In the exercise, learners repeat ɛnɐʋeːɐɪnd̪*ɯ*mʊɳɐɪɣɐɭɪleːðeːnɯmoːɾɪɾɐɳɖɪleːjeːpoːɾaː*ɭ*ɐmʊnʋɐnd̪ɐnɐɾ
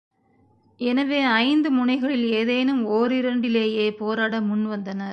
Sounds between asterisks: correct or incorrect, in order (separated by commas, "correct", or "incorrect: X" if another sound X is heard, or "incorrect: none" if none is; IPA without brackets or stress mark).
correct, incorrect: ɽ